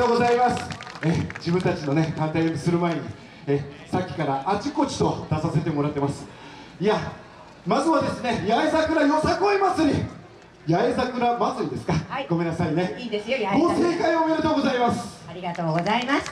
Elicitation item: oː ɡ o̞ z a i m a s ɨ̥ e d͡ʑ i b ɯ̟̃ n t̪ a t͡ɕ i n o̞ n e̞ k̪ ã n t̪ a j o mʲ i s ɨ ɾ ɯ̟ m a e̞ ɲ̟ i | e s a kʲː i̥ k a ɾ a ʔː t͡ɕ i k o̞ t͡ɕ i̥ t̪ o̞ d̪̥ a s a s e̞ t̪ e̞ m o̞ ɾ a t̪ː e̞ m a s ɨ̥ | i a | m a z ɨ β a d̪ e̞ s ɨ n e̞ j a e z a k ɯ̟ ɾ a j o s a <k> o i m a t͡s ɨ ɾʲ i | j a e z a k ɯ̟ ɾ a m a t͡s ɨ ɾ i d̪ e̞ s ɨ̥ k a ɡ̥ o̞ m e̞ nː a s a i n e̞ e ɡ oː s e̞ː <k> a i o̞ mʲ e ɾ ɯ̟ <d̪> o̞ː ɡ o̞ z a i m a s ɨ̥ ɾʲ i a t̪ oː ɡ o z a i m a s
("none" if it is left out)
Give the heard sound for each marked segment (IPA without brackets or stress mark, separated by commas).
k, k, t̪